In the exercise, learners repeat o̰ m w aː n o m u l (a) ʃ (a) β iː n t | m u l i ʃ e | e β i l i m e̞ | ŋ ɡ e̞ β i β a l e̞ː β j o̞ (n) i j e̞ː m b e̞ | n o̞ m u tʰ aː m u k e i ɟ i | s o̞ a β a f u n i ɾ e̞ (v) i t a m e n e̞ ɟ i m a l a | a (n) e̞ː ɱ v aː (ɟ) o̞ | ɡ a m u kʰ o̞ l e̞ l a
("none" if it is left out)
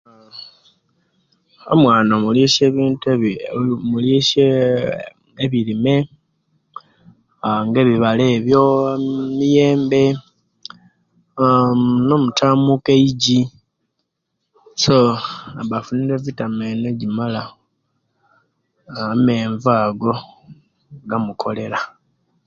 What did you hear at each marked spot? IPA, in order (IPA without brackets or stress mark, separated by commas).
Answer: i, e, m, v, m, ɡ